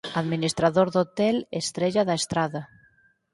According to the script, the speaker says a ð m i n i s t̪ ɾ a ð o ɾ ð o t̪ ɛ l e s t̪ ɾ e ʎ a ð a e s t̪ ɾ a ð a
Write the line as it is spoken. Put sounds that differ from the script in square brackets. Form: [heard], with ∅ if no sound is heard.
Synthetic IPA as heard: a ð m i n i s t̪ ɾ a ð o ɾ ð o t̪ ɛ l e s t̪ ɾ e ʎ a ð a e s t̪ ɾ a ð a